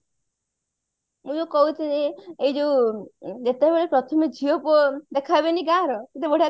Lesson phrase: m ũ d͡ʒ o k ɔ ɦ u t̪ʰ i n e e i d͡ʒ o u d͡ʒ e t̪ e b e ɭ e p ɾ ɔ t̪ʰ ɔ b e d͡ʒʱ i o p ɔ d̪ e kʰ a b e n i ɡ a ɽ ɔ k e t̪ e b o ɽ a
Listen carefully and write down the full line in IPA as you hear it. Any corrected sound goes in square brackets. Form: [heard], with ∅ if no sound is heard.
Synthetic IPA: m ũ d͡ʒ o k ɔ ɦ u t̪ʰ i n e e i d͡ʒ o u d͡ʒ e t̪ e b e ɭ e p ɾ ɔ t̪ʰ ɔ [m] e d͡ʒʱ i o p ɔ d̪ e kʰ a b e n i ɡ a [ɾ] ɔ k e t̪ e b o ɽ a